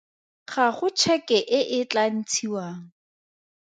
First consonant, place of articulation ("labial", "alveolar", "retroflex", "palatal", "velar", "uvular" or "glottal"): uvular